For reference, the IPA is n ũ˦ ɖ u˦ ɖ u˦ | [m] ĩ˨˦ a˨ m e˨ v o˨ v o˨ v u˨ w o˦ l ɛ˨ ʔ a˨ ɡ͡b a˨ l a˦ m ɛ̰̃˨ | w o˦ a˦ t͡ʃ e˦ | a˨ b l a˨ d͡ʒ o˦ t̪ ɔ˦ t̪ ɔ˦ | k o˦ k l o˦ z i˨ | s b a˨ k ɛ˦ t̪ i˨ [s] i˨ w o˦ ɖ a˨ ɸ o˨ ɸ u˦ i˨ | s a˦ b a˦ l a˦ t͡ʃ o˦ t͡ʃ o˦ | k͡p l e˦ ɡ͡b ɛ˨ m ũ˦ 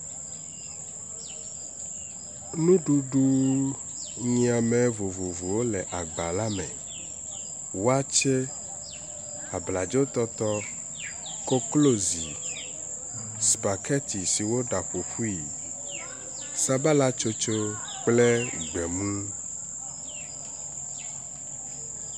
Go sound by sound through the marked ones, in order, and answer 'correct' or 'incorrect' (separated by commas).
incorrect, correct